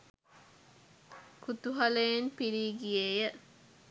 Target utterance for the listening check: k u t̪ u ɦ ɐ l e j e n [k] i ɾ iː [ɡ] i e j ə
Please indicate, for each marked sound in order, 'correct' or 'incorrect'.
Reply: incorrect, correct

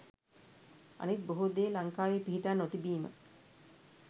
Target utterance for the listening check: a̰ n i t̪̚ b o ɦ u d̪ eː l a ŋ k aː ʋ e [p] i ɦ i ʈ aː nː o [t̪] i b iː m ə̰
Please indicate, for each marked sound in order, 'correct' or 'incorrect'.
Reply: correct, correct

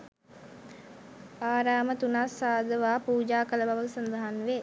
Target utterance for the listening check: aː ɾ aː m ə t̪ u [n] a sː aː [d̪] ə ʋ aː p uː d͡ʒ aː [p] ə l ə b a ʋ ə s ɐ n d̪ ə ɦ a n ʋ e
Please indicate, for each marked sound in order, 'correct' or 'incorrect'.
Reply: correct, correct, incorrect

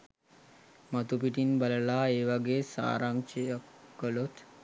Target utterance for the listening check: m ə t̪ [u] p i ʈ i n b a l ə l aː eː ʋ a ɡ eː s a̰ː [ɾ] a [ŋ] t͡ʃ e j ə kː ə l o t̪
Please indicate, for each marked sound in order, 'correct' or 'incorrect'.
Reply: correct, correct, correct

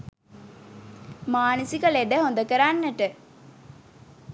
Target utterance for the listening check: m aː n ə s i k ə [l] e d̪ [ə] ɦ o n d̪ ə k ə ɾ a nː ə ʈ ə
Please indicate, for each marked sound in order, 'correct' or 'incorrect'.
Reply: correct, correct

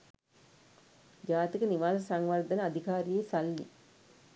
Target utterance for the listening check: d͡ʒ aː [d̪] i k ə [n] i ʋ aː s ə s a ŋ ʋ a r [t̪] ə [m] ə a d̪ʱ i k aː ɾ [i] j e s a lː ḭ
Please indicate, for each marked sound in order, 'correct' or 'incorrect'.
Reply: incorrect, correct, incorrect, incorrect, correct

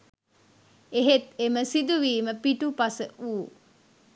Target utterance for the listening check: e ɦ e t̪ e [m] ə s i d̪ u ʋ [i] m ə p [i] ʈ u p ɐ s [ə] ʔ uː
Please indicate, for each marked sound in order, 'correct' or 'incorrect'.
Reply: correct, incorrect, correct, correct

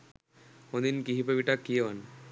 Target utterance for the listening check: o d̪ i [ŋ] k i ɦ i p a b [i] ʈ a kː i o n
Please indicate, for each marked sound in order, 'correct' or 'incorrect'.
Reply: incorrect, correct

